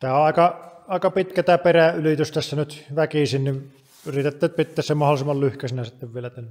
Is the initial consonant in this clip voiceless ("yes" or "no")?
yes